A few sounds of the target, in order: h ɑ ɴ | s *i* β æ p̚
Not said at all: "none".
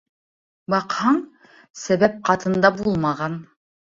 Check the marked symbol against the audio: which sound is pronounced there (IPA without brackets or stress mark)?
æ